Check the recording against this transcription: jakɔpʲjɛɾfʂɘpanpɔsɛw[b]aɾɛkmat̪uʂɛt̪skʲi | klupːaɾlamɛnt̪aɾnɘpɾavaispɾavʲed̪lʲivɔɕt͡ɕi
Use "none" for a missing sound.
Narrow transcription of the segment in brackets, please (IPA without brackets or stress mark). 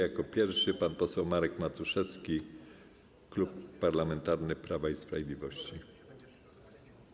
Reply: m